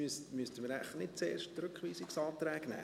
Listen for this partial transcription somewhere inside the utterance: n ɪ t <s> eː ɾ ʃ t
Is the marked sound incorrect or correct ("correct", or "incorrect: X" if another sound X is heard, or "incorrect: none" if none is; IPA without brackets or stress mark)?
incorrect: t͡s